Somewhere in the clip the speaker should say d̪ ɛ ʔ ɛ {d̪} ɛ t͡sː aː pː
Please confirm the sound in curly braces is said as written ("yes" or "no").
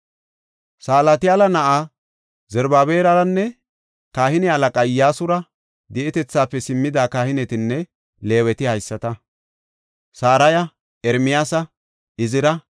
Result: no